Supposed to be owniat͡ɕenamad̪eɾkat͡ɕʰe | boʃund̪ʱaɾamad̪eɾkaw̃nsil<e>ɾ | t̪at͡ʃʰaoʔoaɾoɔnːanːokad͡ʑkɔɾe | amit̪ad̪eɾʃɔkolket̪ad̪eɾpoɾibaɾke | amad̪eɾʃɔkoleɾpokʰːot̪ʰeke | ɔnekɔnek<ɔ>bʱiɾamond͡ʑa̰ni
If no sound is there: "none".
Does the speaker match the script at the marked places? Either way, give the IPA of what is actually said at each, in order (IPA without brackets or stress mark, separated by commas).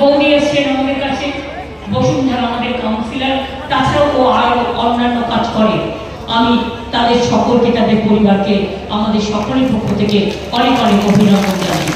a, o